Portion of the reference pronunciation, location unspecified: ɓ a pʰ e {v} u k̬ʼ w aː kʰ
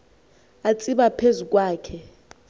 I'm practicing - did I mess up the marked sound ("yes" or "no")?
yes